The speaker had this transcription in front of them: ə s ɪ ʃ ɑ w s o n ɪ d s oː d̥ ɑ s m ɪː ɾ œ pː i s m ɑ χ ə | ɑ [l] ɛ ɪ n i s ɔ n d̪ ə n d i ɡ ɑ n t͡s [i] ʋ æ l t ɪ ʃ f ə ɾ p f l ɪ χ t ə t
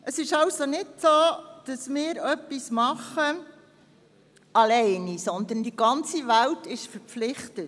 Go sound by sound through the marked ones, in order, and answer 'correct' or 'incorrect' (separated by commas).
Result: correct, correct